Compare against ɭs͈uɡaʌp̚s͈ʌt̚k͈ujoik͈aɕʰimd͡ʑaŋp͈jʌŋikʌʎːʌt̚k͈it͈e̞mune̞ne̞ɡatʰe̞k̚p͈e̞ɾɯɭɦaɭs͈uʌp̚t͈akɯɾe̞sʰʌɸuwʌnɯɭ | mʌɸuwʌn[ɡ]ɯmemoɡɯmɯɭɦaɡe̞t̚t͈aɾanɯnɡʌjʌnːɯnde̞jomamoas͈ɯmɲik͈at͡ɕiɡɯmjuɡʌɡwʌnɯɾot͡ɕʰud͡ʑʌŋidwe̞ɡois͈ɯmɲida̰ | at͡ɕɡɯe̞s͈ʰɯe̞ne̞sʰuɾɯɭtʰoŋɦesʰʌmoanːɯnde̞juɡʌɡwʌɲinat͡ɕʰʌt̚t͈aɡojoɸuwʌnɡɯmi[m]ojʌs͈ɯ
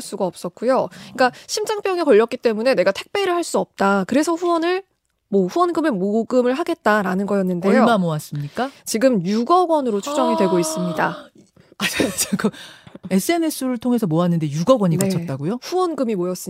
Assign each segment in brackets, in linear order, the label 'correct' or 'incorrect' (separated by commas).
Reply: correct, correct